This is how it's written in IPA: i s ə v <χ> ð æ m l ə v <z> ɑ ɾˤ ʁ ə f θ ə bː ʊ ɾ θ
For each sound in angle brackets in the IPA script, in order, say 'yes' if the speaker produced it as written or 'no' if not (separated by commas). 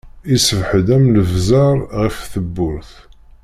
no, yes